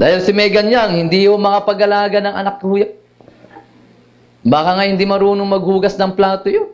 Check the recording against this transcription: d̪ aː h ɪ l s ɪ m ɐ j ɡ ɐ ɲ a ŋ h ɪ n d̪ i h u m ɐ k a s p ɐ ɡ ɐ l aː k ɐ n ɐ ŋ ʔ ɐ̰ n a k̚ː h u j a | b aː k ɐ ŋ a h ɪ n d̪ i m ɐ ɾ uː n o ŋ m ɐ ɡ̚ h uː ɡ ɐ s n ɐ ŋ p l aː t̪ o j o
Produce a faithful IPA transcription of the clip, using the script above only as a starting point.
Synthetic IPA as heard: d̪ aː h ɪ l s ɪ m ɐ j ɡ ɐ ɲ a ŋ h ɪ n d̪ i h o m ɐ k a p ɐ ɡ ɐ l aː ɡ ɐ n ɐ ŋ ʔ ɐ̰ n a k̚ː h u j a | b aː k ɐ ŋ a h ɪ n d̪ i m ɐ ɾ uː n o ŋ m ɐ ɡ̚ h uː ɡ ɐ s n ɐ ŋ p l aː t̪ o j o

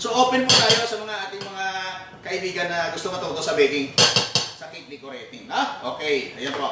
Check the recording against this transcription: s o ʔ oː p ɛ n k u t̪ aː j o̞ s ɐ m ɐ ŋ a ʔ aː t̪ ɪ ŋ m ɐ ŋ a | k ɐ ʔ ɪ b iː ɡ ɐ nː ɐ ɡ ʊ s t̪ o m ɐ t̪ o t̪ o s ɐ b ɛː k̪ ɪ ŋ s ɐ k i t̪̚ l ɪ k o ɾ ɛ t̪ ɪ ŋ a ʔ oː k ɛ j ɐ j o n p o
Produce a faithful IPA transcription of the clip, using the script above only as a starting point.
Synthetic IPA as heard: s o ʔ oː p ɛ n p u t̪ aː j o̞ s ɐ m ɐ ŋ a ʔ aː t̪ ɪ ŋ m ɐ ŋ a | k ɐ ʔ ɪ b iː ɡ ɐ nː ɐ ɡ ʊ s t̪ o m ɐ t̪ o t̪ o s ɐ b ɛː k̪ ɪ ŋ s ɐ k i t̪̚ l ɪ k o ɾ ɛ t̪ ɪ ŋ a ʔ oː k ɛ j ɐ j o n p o

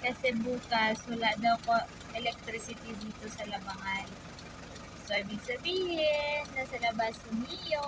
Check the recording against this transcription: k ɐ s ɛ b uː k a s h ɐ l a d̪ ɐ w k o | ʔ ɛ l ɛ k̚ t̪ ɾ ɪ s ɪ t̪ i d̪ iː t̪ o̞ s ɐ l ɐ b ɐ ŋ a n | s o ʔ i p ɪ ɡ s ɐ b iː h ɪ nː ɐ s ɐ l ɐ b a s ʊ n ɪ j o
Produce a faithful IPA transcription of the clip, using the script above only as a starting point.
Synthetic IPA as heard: k ɐ s ɛ b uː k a s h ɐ l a d̪ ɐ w k o | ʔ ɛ l ɛ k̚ t̪ ɾ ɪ s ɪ t̪ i d̪ iː t̪ o̞ s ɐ l ɐ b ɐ ŋ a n | s o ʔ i b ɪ ɡ s ɐ b iː h ɪ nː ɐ s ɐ l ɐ b a s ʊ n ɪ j o

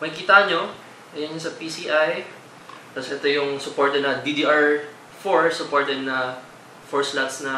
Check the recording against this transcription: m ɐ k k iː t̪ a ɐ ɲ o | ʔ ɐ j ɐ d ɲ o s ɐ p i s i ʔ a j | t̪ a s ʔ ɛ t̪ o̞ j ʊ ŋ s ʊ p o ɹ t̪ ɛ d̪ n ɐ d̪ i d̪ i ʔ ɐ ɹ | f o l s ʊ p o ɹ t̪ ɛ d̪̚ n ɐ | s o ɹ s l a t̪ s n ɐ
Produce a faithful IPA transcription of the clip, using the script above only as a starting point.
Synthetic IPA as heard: m ɐ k k iː t̪ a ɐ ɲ o | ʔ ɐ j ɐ n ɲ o s ɐ p i s i ʔ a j | t̪ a s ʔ ɛ t̪ o̞ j ʊ ŋ s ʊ p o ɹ t̪ ɛ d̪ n ɐ d̪ i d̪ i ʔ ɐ ɹ | f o ɹ s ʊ p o ɹ t̪ ɛ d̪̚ n ɐ | f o ɹ s l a t̪ s n ɐ

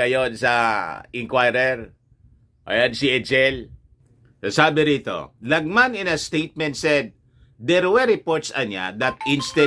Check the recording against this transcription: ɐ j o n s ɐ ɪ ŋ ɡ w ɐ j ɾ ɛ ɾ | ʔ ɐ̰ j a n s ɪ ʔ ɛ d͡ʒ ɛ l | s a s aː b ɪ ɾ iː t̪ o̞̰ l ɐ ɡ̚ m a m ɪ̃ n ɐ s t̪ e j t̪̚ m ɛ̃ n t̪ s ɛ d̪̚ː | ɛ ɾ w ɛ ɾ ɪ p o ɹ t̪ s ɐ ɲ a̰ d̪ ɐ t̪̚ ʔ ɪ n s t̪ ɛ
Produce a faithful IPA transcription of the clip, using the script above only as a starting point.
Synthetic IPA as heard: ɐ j o n s ɐ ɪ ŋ k w a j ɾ ɛ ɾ | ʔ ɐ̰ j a n s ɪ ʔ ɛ d͡ʒ ɛ l | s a s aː b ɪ ɾ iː t̪ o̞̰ l ɐ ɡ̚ m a n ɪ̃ n ɐ s t̪ e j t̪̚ m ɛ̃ n t̪ s ɛ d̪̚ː | ɛ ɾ w ɛ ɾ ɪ p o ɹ t̪ s ɐ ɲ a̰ d̪ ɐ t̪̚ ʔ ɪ n s t̪ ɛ

